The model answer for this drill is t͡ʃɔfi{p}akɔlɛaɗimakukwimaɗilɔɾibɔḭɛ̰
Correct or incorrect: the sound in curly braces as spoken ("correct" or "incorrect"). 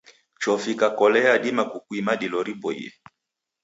incorrect